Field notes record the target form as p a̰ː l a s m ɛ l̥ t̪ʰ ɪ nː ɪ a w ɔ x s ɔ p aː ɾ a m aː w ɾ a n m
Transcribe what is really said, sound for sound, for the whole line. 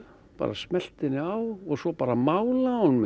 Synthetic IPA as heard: p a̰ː ɾ a s m ɛ l̥ t̪ ɪ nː ɪ a w ɔ ɣ s ɔ p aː ɾ a m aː w l a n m